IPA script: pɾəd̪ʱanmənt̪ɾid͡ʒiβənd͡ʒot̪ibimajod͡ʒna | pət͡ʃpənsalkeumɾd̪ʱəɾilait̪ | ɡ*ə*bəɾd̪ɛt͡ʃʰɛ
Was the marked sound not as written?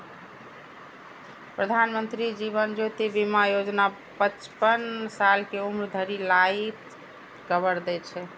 no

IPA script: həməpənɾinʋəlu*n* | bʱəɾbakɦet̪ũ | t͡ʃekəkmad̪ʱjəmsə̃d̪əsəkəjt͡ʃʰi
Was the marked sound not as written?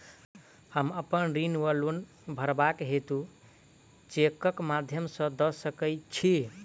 no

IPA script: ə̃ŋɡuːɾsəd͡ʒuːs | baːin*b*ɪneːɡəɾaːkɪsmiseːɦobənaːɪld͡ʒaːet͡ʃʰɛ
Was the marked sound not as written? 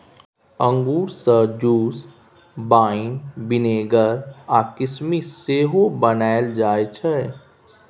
no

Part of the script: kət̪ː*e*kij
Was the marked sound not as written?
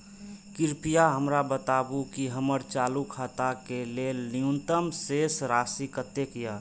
no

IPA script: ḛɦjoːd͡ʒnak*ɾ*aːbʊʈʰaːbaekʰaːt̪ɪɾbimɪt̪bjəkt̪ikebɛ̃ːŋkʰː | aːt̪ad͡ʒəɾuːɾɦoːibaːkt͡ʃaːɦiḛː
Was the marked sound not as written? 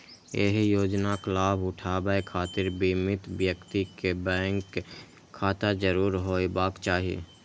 yes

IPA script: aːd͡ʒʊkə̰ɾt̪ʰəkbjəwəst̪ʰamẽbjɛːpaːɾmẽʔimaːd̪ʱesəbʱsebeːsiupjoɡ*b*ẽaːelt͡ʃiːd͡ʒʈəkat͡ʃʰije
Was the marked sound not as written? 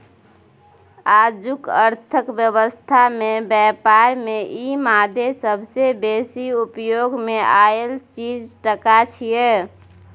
yes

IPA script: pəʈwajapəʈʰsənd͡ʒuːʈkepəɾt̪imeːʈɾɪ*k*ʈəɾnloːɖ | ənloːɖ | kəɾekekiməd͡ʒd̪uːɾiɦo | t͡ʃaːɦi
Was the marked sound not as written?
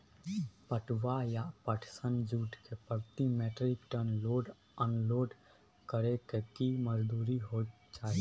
no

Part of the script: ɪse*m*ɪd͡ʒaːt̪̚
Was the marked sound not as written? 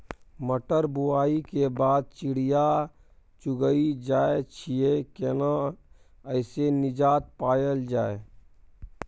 yes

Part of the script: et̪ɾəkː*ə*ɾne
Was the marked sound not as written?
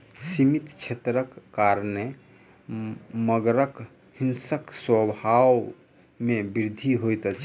yes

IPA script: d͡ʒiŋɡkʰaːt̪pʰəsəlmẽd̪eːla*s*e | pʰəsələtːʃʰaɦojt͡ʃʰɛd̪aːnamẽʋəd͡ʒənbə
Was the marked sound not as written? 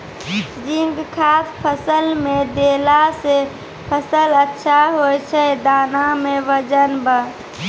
no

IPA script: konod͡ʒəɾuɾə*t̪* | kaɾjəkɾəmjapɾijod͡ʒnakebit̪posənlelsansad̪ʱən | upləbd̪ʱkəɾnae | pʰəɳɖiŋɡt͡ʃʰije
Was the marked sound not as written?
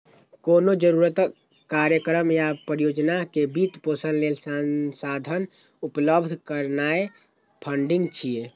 no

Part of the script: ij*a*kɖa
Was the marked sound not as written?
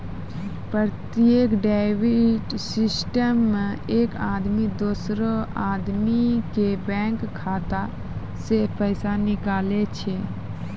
yes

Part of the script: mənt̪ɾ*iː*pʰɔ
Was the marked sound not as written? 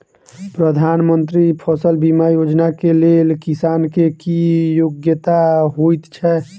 yes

